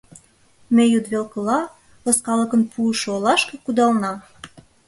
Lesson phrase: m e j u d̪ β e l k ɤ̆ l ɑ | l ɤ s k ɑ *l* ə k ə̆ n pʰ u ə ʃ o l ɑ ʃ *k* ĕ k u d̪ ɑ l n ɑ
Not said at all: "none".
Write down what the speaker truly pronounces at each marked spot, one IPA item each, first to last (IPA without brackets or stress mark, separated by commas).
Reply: l, k